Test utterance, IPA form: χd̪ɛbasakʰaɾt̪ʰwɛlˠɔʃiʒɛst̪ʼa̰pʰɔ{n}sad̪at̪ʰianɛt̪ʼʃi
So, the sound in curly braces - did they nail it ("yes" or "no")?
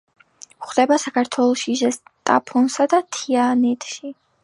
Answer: yes